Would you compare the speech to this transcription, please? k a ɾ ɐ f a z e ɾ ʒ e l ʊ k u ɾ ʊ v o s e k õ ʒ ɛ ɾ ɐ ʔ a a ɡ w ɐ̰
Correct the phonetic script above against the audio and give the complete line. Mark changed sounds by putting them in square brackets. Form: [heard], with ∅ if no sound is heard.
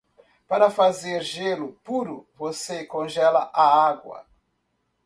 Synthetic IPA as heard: [p] a ɾ ɐ f a z e ɾ ʒ e l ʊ [p] u ɾ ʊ v o s e k õ ʒ ɛ [l] ɐ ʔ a a ɡ w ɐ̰